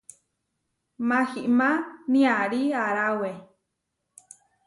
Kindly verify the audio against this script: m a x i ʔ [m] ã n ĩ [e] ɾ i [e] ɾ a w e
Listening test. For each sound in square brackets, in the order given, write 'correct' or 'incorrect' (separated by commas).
correct, incorrect, incorrect